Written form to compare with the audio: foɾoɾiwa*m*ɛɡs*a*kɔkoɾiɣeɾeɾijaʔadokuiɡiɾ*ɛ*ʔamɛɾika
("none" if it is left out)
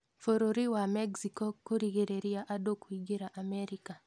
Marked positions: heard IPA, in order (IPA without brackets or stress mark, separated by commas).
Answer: m, i, a